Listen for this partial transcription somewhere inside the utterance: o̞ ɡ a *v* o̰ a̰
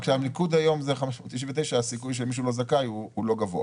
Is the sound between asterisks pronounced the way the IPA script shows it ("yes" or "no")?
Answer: yes